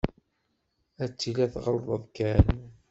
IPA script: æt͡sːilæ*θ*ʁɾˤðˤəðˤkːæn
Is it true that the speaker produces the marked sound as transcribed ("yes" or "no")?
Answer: yes